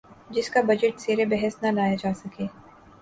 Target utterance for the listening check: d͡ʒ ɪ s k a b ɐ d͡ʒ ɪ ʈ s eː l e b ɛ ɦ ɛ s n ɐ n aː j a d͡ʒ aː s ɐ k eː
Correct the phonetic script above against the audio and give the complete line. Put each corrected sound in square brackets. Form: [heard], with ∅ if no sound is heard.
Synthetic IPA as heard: d͡ʒ ɪ s k a b ɐ d͡ʒ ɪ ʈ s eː [ɾ] e b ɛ ɦ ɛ s n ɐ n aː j a d͡ʒ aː s ɐ k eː